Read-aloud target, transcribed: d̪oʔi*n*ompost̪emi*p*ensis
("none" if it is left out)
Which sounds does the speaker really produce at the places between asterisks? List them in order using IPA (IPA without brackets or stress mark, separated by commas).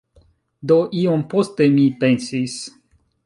none, p